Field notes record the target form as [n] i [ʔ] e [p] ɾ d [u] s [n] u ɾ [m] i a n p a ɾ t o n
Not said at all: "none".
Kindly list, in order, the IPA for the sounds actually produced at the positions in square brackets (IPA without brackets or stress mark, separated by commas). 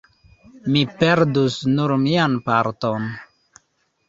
m, p, none, u, n, m